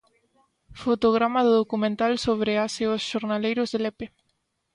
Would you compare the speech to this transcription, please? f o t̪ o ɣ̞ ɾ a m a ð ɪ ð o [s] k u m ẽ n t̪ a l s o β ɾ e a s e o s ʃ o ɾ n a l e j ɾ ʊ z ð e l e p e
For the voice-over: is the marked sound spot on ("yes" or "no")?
no